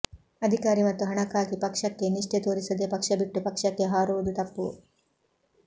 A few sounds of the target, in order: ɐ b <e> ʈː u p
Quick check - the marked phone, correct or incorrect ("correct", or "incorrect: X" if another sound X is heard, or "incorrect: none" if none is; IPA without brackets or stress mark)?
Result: incorrect: i